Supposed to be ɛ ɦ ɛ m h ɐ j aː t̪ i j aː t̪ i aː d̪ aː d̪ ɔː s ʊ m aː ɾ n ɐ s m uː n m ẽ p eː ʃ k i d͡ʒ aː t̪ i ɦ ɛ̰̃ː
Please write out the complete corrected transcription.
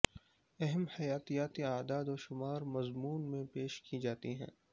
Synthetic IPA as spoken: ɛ ɦ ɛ m h ɐ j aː t̪ i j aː t̪ i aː d̪ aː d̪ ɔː ʃ ʊ m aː ɾ m ɐ z m uː n m ẽ p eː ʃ k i d͡ʒ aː t̪ i ɦ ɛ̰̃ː